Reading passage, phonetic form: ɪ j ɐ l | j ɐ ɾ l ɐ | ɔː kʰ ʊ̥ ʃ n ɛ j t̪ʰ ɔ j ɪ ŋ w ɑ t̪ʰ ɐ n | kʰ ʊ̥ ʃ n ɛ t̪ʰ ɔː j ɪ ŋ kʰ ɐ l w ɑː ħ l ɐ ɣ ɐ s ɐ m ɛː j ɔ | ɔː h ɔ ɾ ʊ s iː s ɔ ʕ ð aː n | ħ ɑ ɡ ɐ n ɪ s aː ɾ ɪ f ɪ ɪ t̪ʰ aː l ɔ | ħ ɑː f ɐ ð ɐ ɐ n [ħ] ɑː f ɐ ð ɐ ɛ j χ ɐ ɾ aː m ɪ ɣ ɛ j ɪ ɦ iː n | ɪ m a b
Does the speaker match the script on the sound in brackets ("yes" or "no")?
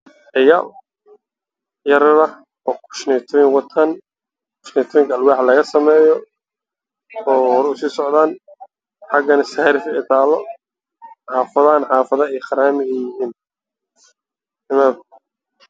yes